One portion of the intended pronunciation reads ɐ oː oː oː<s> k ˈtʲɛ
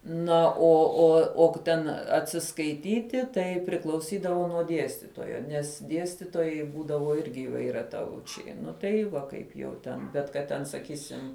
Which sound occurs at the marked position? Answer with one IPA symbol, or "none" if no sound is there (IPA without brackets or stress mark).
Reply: none